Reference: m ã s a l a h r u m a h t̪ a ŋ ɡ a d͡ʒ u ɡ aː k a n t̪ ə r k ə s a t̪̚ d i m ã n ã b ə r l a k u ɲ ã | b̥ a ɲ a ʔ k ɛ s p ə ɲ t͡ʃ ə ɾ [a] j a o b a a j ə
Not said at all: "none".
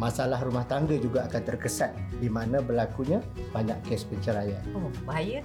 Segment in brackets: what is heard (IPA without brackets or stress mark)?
a